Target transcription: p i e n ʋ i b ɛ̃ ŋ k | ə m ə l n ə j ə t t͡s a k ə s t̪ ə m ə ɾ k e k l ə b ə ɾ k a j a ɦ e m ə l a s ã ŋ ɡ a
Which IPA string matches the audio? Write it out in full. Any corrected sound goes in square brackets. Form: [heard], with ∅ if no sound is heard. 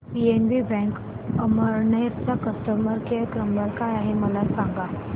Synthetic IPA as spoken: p i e n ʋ i b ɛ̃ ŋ k | ə m ə [ɾ] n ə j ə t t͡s a k ə s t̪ ə m ə ɾ k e k [ɾ] ə [m] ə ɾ k a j a ɦ e m ə l a s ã ŋ ɡ a